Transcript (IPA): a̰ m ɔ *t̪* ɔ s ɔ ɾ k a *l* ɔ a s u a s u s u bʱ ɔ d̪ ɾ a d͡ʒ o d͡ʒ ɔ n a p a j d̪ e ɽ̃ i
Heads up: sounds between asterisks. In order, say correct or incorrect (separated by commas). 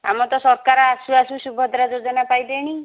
correct, incorrect